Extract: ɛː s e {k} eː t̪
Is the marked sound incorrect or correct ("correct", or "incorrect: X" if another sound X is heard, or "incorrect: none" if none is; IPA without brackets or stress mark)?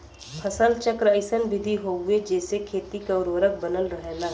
incorrect: kʰ